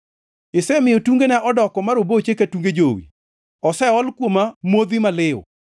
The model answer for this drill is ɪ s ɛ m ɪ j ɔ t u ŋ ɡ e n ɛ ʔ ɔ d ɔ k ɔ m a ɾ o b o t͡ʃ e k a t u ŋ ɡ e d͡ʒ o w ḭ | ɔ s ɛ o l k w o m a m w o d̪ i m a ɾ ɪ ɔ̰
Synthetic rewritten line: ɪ s ɛ m ɪ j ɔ t u ŋ ɡ e n ɛ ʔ ɔ d ɔ k ɔ m a ɾ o b o t͡ʃ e k a t u ŋ ɡ e d͡ʒ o w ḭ | ɔ s ɛ ɔ l k w o m a m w o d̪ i m a l ɪ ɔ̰